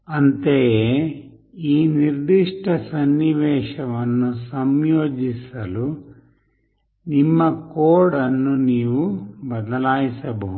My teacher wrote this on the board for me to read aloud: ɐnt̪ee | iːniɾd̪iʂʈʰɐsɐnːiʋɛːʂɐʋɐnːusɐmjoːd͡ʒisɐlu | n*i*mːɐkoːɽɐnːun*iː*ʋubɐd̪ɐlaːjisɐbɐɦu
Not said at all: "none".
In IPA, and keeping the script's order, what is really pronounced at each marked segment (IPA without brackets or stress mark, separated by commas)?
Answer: i, iː